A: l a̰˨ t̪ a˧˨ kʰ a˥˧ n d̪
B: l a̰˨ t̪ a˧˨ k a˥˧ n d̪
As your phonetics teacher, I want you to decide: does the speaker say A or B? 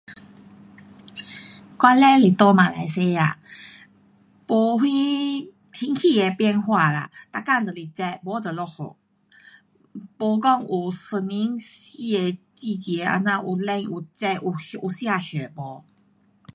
B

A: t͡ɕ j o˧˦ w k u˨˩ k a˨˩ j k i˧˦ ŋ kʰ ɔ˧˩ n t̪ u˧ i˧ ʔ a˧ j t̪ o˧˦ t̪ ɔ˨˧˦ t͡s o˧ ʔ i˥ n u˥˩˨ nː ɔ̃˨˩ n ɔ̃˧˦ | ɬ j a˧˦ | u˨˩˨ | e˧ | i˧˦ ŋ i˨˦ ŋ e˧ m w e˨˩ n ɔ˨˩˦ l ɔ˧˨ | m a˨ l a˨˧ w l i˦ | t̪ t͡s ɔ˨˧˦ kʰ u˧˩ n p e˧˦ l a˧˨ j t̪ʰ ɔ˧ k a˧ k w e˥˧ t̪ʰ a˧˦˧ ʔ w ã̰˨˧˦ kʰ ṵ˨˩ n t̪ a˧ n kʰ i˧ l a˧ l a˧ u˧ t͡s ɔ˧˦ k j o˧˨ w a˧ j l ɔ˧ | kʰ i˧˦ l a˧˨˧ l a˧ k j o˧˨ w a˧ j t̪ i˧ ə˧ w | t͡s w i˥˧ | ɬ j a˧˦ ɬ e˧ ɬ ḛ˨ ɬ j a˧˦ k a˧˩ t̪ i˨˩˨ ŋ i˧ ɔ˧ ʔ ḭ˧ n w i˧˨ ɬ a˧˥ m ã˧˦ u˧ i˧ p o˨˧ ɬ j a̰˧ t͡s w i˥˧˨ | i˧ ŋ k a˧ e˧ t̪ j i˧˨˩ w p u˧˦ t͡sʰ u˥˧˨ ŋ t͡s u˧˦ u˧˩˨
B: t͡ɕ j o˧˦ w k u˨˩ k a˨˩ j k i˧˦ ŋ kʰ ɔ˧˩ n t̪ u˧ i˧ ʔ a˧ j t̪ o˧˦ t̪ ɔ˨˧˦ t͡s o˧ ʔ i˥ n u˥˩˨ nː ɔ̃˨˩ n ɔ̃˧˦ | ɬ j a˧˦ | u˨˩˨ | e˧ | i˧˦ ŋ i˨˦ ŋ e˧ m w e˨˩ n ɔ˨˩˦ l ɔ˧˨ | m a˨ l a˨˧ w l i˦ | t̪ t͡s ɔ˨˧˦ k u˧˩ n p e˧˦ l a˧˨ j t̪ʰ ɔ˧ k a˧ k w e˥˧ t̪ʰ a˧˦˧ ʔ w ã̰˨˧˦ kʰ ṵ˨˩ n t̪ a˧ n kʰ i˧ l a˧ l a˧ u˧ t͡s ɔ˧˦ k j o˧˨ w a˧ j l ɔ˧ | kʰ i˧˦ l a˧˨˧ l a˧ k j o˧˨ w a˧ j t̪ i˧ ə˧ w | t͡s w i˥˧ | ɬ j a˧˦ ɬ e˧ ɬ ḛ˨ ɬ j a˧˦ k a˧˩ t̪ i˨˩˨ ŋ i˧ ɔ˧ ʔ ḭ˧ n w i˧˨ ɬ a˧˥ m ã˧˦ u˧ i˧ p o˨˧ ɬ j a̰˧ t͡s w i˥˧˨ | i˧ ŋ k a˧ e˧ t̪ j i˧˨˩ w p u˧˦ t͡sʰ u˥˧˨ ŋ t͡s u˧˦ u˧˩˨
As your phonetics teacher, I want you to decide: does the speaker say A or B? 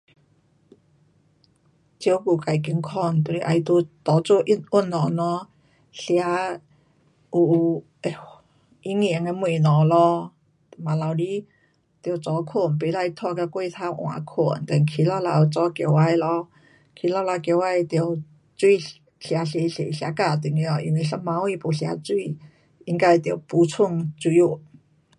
A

